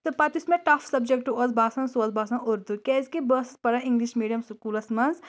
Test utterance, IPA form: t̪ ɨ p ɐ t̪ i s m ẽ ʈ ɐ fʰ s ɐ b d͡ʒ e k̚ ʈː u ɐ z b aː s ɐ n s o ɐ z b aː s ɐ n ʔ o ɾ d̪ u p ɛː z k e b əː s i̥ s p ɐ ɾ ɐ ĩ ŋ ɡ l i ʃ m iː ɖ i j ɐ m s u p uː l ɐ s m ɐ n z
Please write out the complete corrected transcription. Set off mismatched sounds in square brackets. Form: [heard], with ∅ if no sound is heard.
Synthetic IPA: t̪ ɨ p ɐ t̪ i s m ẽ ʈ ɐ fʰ s ɐ b d͡ʒ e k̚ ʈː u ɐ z b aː s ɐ n s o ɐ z b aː s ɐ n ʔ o ɾ d̪ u [k] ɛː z k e b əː s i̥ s p ɐ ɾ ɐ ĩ ŋ ɡ l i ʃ m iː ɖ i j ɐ m s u [k] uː l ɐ s m ɐ n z